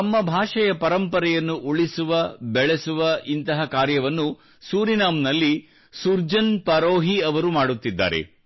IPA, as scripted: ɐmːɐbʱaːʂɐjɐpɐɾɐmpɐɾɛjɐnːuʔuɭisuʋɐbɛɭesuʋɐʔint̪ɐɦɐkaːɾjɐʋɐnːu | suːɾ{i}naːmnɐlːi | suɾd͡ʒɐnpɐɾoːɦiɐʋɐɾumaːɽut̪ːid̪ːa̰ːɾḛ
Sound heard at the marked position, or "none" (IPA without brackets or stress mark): i